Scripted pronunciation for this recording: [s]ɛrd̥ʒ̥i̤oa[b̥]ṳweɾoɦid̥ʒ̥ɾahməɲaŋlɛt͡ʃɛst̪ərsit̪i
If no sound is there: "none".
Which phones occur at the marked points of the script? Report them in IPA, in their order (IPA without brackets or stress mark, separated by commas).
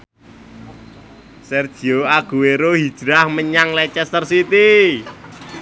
s, ɡ̥